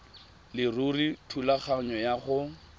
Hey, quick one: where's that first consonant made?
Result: tongue tip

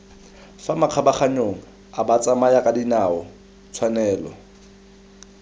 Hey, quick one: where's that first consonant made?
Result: lips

